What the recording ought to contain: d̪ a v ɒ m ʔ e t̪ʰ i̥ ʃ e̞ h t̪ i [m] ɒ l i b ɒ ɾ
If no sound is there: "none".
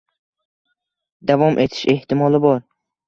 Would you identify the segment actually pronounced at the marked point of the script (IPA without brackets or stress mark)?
m